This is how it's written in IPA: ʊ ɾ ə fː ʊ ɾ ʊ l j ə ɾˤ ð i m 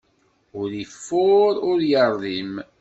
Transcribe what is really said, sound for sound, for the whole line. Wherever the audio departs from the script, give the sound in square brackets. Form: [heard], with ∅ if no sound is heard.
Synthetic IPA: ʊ ɾ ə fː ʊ ɾ ʊ [ɾ] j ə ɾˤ ð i m